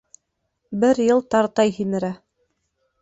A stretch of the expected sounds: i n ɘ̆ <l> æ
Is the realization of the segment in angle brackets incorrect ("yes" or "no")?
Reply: yes